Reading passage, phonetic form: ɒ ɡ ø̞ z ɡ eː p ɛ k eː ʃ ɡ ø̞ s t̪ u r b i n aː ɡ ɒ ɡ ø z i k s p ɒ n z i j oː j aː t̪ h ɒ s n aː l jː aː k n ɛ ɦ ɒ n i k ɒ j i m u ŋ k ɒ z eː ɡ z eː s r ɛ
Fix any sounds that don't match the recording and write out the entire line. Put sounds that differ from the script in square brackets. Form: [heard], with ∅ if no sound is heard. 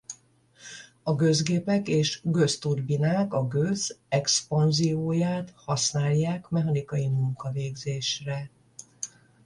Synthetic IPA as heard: ɒ ɡ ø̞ z ɡ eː p ɛ k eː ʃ ɡ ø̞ s t̪ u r b i n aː [k] ɒ ɡ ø z [ɛ] k s p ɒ n z i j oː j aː t̪ h ɒ s n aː l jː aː k [m] ɛ ɦ ɒ n i k ɒ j i m u ŋ k ɒ [v] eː ɡ z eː [ʃ] r ɛ